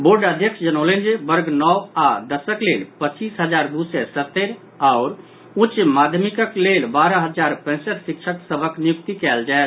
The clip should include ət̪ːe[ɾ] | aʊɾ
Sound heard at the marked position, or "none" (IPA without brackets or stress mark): ɾ